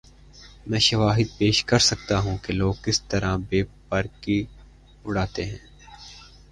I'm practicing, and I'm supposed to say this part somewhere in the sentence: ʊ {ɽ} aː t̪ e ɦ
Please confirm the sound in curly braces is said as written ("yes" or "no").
yes